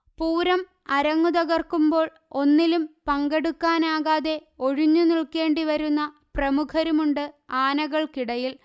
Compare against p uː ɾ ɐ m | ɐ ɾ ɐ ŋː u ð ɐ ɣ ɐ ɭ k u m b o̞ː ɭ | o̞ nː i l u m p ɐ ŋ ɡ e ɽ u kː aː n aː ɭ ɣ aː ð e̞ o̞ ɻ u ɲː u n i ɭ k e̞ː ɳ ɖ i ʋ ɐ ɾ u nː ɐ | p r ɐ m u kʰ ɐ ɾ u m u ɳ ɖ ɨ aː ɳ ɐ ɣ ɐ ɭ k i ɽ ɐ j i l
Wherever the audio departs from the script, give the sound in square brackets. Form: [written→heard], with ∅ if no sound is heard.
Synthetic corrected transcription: p uː ɾ ɐ m | ɐ ɾ ɐ ŋː u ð ɐ ɣ ɐ [ɭ→r] k u m b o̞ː ɭ | o̞ nː i l u m p ɐ ŋ ɡ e ɽ u kː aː n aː [ɭ→∅] ɣ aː ð e̞ o̞ ɻ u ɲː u n i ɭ k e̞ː ɳ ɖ i ʋ ɐ ɾ u nː ɐ | p r ɐ m u kʰ ɐ ɾ u m u ɳ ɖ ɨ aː [ɳ→n] ɐ ɣ ɐ ɭ k i ɽ ɐ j i l